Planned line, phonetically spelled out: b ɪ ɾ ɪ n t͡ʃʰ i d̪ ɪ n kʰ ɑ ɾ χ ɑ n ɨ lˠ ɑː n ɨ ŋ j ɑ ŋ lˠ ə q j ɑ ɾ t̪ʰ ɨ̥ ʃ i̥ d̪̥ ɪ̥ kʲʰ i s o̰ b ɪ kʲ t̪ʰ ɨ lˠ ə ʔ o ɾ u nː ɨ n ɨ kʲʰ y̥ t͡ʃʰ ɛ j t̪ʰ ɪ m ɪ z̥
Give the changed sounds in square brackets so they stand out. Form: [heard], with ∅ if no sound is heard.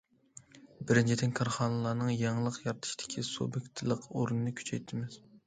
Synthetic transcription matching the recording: b ɪ ɾ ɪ n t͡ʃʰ i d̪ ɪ n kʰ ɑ ɾ χ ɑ n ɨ lˠ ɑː n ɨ ŋ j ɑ ŋ lˠ ə q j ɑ ɾ t̪ʰ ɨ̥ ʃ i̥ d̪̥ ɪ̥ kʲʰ i s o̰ b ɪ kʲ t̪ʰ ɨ lˠ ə [q] o ɾ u [n] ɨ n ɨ kʲʰ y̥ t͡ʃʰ ɛ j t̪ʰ ɪ m ɪ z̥